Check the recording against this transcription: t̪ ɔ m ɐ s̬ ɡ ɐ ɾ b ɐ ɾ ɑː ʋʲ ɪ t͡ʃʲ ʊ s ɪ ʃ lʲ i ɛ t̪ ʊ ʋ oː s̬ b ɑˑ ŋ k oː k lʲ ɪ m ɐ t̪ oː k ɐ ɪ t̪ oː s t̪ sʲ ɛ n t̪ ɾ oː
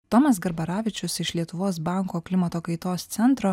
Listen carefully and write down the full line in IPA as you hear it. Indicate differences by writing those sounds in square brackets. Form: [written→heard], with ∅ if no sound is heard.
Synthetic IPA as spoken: t̪ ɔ m ɐ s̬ ɡ ɐ ɾ b ɐ ɾ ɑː ʋʲ ɪ t͡ʃʲ ʊ s ɪ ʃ lʲ i ɛ t̪ ʊ ʋ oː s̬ b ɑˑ ŋ k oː k lʲ ɪ m ɐ t̪ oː k ɐ ɪ t̪ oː s t̪ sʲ ɛ n t̪ ɾ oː